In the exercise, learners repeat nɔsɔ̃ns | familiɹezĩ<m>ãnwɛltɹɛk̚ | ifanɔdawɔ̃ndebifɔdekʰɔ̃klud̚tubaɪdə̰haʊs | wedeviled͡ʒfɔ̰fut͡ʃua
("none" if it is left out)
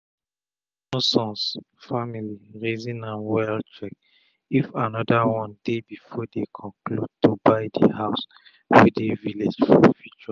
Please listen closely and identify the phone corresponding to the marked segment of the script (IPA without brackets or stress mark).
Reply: n